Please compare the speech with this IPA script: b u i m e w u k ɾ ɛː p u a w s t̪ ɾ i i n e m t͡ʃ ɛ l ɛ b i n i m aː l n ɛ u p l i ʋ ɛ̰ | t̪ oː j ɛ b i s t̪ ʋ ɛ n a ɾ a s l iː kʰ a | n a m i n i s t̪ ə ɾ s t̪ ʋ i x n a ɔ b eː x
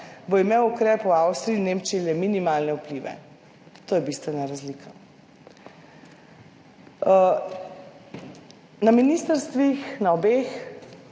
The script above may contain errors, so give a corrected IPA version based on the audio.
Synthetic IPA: b o i m e w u k ɾ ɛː p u a w s t̪ ɾ i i n e m t͡ʃ i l ɛ m i n i m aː l n ɛ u p l i ʋ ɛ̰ | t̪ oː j ɛ b i s t̪ ʋ ɛ n a ɾ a z l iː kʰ a | n a m i n i s t̪ ə ɾ s t̪ ʋ i x n a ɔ b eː x